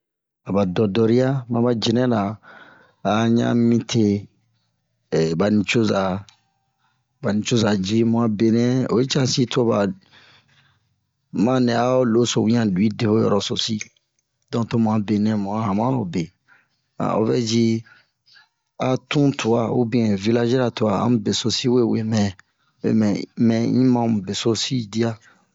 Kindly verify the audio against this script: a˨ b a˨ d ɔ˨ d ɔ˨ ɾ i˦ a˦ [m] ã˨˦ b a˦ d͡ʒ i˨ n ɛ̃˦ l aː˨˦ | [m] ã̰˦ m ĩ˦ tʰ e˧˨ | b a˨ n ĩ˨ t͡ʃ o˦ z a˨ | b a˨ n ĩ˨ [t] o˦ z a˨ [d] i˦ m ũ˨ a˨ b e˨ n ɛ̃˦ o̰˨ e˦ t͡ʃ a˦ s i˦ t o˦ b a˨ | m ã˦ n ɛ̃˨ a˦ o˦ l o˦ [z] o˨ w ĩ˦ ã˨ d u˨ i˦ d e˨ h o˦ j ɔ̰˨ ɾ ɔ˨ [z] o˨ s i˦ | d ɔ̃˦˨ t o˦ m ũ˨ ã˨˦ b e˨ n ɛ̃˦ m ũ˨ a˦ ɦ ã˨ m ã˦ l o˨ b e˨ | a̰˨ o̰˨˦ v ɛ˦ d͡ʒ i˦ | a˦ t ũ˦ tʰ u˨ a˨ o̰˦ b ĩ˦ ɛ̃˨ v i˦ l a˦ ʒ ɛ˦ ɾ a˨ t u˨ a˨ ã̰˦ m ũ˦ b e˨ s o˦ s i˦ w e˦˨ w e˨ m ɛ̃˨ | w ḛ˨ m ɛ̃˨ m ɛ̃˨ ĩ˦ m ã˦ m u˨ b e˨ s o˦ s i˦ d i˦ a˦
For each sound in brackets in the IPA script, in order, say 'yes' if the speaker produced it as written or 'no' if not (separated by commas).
yes, no, no, no, no, no